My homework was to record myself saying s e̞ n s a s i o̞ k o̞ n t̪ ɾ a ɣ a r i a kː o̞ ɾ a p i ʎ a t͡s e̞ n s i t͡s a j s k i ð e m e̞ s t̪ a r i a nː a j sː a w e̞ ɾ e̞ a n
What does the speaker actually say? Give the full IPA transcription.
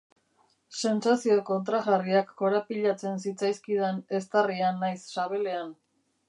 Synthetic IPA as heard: s e̞ n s a s i o̞ k o̞ n t̪ ɾ a ɣ a r i a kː o̞ ɾ a p i ʎ a t͡s e̞ n s i t͡s a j s k i ð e n e̞ s t̪ a r i a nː a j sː a β e̞ l e̞ a n